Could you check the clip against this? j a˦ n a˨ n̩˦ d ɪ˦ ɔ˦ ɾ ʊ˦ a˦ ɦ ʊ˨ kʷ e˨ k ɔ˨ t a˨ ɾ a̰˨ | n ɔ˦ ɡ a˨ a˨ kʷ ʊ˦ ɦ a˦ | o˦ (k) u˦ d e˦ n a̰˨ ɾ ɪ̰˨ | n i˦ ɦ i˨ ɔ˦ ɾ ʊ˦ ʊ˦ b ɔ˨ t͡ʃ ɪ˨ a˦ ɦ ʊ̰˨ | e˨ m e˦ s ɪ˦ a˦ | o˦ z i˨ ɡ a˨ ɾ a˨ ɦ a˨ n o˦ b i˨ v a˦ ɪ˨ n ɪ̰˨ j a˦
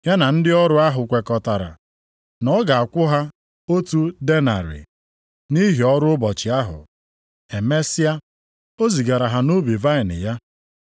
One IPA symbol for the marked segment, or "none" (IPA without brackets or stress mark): t